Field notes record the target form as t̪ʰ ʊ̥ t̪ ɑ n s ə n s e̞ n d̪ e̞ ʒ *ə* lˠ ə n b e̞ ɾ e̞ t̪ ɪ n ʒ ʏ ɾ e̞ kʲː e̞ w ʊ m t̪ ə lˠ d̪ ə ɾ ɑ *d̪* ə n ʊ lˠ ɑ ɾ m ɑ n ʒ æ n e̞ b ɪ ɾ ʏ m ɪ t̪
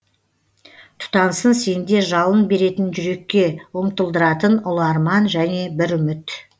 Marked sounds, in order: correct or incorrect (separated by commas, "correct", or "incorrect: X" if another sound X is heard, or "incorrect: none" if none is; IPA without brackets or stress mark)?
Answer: incorrect: ɑ, incorrect: t̪